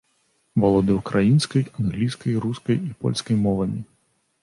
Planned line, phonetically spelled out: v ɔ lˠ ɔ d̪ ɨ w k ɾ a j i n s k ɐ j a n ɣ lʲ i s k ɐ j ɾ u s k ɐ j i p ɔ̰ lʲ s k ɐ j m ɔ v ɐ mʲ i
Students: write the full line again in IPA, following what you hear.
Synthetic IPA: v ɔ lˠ ɔ d̪ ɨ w k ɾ a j i n s k ɐ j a n ɣ lʲ i s k ɐ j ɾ u s k ɐ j i p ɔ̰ lʲ s k ɐ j m ɔ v ɐ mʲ i